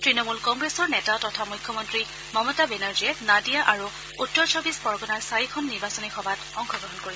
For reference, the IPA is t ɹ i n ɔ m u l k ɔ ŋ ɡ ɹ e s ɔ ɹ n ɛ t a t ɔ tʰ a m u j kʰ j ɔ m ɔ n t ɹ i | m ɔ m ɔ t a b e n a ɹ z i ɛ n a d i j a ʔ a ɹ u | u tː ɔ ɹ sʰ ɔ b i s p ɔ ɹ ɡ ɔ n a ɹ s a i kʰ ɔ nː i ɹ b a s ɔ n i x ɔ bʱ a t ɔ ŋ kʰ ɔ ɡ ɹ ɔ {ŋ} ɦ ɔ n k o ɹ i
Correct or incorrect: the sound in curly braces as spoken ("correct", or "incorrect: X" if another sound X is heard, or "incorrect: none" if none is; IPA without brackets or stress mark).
incorrect: none